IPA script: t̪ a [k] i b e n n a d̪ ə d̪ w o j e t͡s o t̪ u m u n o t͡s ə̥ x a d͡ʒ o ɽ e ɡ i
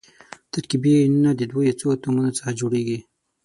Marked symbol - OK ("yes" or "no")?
yes